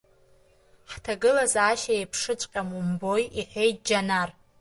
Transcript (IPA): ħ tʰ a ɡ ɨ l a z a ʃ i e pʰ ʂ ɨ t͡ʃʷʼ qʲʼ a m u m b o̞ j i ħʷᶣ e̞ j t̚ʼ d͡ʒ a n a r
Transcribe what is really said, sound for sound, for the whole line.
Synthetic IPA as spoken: ħ tʰ a ɡ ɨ l a z a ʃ a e pʰ ʂ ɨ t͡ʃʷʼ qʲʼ a m u m b o̞ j i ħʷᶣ e̞ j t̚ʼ d͡ʒ a n a r